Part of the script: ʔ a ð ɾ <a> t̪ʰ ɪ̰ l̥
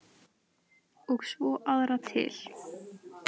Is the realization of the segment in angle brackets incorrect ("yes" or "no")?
no